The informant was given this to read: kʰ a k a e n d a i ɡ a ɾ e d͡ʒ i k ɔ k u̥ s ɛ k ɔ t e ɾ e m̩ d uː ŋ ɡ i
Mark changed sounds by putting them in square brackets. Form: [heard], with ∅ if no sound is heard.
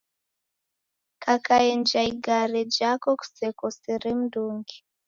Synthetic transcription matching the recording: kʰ a k a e n [d͡ʒ] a i ɡ a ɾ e d͡ʒ [a] k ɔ k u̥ s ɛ k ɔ [s] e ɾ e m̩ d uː ŋ ɡ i

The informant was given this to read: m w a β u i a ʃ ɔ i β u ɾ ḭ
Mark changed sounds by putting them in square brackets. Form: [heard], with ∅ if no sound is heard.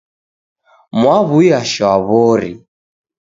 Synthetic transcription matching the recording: m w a β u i a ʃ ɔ [a] β [ɔ] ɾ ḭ

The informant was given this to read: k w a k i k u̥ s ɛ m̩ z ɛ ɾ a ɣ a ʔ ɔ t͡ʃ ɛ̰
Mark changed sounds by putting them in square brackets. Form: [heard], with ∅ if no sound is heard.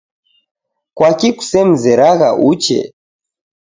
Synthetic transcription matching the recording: k w a k i k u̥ s ɛ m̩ z ɛ ɾ a ɣ a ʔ [u] t͡ʃ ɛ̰

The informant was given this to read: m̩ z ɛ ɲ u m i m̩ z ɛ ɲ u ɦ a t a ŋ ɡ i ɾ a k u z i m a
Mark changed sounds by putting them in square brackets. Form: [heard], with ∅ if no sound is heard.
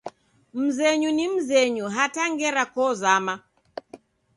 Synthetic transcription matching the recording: m̩ z ɛ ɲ u [n] i m̩ z ɛ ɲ u ɦ a t a ŋ ɡ [ɛ] ɾ a k [ɔ] z [a] m a

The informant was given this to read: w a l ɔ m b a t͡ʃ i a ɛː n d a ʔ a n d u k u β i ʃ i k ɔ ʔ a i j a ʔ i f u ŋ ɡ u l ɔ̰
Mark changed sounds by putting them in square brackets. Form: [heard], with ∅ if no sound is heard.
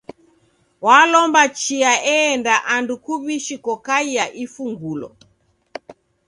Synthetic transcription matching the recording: w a l ɔ m b a t͡ʃ i a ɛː n d a ʔ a n d u k u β i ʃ i k ɔ [k] a i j a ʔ i f u ŋ ɡ u l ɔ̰

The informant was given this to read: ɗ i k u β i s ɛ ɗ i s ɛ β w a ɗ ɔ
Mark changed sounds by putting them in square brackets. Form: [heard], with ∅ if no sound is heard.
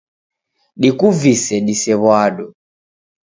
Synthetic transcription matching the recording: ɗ i k u [v] i s ɛ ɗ i s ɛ β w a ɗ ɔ

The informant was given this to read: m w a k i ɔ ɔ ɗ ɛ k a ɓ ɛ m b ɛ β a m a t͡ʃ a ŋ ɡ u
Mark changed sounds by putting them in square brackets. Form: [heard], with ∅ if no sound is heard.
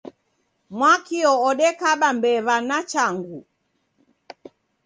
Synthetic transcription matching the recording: m w a k i ɔ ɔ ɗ ɛ k a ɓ [a] m b ɛ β a [n] a t͡ʃ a ŋ ɡ u

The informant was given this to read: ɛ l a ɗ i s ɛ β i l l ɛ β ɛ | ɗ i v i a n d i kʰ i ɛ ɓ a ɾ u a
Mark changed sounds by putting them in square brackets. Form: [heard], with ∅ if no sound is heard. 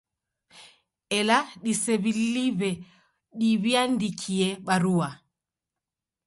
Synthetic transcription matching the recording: ɛ l a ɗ i s ɛ β i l l [i] β ɛ | ɗ i [β] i a n d i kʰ i ɛ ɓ a ɾ u a

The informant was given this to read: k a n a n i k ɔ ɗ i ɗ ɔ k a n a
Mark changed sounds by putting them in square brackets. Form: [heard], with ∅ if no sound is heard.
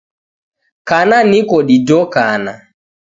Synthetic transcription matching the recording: k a n a n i k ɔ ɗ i [d] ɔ k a n a

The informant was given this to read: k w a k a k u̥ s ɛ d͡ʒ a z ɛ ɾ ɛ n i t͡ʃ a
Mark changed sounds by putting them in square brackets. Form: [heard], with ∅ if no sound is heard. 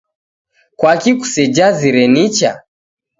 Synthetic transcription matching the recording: k w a k [i] k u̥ s ɛ d͡ʒ a z [i] ɾ ɛ n i t͡ʃ a

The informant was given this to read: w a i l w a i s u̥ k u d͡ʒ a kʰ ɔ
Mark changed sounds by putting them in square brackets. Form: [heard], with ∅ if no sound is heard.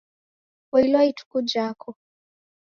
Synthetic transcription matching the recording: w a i l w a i [t] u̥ k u d͡ʒ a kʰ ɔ

